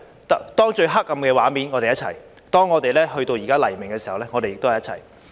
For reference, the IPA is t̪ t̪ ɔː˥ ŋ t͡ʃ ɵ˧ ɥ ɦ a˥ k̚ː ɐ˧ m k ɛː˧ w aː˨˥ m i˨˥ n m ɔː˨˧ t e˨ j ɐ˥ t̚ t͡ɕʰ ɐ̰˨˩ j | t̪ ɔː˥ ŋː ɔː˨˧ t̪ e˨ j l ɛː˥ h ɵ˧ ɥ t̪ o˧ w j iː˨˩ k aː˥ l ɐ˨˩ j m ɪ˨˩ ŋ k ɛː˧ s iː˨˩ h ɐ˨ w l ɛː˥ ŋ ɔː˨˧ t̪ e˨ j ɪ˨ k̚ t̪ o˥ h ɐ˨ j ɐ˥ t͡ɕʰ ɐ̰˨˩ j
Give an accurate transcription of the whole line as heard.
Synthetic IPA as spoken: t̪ t̪ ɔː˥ ŋ t͡ʃ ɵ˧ ɥ ɦ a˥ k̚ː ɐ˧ m k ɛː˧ w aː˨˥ m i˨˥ n ŋ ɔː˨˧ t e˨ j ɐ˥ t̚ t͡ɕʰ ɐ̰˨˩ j | t̪ ɔː˥ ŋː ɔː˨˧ t̪ e˨ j l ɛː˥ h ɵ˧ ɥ t̪ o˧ w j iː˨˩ k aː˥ l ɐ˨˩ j m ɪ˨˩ ŋ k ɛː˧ s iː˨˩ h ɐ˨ w l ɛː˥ ŋ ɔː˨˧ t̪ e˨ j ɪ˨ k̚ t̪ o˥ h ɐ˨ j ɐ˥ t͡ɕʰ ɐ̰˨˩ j